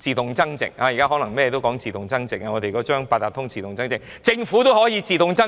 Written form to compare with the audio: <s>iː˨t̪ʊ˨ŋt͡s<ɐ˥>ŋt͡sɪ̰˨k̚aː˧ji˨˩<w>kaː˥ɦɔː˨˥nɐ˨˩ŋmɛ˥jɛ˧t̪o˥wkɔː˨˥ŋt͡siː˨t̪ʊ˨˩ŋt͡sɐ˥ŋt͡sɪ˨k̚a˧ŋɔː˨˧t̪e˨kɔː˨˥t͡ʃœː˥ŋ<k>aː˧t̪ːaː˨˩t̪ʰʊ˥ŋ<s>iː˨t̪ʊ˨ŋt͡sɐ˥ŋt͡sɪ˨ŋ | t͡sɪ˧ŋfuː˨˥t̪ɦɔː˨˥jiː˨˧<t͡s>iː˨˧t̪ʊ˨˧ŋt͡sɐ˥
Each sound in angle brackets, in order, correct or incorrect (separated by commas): incorrect, correct, incorrect, incorrect, incorrect, correct